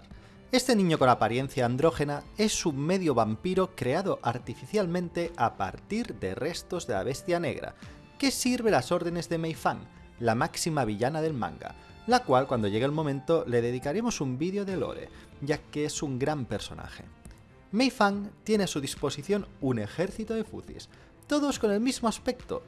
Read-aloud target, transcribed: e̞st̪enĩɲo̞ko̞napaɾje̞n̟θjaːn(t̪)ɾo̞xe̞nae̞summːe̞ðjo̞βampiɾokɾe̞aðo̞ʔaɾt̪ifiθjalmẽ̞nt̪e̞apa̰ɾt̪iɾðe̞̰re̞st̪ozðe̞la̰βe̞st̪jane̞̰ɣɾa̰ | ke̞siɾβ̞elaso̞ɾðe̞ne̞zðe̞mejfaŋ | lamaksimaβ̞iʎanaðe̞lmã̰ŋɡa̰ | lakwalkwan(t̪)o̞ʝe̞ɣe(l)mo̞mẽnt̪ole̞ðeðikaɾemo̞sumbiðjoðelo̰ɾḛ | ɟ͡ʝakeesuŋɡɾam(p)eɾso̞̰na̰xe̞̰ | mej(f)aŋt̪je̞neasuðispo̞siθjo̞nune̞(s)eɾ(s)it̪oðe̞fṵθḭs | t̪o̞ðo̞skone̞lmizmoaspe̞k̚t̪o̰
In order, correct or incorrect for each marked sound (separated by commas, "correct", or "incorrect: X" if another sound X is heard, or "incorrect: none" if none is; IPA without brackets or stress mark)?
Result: incorrect: d̪, incorrect: d̪, correct, correct, correct, incorrect: x, incorrect: θ